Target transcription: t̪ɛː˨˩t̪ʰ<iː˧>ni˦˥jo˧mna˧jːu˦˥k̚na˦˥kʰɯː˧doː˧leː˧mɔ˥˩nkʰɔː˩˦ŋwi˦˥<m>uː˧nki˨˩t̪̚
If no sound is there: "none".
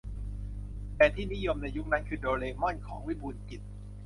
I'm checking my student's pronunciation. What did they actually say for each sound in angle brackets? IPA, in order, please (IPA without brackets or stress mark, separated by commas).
iː˥˩, b